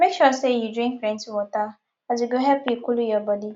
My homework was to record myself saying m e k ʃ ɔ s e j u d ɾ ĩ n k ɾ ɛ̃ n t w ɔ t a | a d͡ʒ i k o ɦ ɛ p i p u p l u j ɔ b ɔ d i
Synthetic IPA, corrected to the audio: m e k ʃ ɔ s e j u d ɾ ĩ ŋ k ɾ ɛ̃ n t w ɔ t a | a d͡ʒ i ɡ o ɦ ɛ p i k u l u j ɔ b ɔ d i